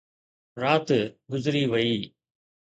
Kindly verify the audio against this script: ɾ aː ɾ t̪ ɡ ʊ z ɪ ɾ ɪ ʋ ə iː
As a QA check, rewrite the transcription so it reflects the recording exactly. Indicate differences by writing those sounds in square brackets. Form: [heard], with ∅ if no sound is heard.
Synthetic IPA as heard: ɾ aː [∅] t̪ ɡ ʊ z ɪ ɾ [i] ʋ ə iː